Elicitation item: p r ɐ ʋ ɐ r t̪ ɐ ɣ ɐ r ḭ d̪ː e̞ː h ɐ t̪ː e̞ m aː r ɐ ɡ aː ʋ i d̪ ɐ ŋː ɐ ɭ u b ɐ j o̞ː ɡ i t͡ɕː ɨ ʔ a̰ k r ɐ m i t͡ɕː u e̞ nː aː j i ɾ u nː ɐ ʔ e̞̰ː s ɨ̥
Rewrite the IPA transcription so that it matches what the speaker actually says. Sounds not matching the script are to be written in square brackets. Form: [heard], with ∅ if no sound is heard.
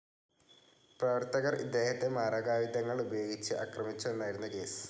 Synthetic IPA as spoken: p r ɐ ʋ ɐ r t̪ ɐ ɣ ɐ r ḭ d̪ː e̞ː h ɐ t̪ː e̞ m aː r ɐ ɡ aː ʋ i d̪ ɐ ŋː ɐ ɭ u b ɐ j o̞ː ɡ i t͡ɕː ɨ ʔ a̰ k r ɐ m i t͡ɕː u e̞ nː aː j i ɾ u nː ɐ [k] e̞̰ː s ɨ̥